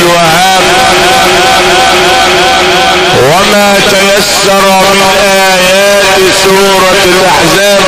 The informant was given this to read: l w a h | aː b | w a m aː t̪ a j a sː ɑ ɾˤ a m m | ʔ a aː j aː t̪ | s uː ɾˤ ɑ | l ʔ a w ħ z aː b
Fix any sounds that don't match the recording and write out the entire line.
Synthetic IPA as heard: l w a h | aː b | w a m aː t̪ a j a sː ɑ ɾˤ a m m | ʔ a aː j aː t̪ | s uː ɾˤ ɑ | l ʔ a ħ z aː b

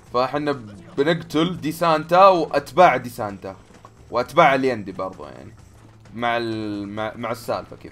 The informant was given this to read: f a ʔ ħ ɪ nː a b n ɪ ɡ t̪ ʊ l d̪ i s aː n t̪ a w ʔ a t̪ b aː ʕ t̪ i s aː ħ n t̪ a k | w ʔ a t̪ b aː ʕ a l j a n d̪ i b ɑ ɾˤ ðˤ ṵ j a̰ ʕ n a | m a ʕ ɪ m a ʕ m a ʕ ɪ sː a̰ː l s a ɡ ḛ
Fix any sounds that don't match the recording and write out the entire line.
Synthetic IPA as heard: f a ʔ ħ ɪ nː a b n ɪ ɡ t̪ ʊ l d̪ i s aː n t̪ a w ʔ a t̪ b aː ʕ d̪ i s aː n t̪ a | w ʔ a t̪ b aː ʕ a l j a n d̪ i b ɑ ɾˤ ðˤ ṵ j a̰ ʕ n i | m a ʕ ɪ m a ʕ m a ʕ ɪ sː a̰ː l f a k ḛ

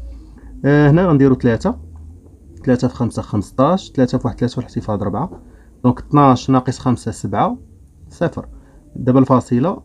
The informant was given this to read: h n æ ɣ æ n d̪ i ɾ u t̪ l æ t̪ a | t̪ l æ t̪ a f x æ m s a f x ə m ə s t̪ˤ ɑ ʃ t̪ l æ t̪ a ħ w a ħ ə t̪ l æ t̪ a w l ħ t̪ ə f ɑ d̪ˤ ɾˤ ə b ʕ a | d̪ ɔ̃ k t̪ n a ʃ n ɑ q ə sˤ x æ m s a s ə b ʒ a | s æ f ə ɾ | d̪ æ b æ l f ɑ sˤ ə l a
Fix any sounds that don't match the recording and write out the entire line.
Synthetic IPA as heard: h n æ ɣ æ n d̪ i ɾ u t̪ l æ t̪ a | t̪ l æ t̪ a f x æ m s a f x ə m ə s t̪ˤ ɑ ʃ t̪ l æ t̪ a f w a ħ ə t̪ l æ t̪ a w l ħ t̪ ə f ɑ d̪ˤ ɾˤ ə b ʕ a | d̪ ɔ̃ k t̪ n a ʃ n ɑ q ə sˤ x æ m s a s ə b ʕ a | s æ f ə ɾ | d̪ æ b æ l f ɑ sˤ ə l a

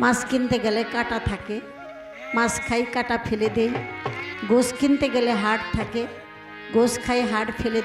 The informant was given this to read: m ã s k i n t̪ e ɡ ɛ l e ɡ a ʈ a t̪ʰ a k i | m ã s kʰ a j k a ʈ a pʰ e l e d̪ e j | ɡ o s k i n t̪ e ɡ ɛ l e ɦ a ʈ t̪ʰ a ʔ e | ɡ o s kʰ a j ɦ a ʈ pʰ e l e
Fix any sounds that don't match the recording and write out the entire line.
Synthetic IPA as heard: m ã s k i n t̪ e ɡ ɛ l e k a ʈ a t̪ʰ a k e | m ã s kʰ a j k a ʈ a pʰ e l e d̪ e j | ɡ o s k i n t̪ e ɡ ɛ l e ɦ a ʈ t̪ʰ a k e | ɡ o s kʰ a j ɦ a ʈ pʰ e l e

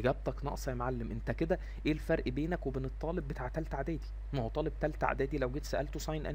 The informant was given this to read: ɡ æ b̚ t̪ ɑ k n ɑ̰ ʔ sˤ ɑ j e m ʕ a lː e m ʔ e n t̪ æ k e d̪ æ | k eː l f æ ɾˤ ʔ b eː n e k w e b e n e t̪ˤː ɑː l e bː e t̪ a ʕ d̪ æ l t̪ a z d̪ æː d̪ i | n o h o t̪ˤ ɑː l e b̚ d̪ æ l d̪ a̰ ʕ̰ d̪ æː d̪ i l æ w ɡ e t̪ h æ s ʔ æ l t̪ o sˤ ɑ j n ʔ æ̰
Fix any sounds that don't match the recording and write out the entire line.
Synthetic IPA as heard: ɡ æ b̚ t̪ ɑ k n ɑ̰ ʔ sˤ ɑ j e m ʕ a lː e m ʔ e n t̪ æ k e d̪ æ | ʔ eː l f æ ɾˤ ʔ b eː n æ k w e b e n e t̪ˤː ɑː l e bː e t̪ a ʕ t̪ æ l t̪ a ʕ d̪ æː d̪ i | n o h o t̪ˤ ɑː l e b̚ t̪ æ l t̪ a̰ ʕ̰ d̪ æː d̪ i l æ w ɡ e t̪ s æ ʔ æ l t̪ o sˤ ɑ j n ʔ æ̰

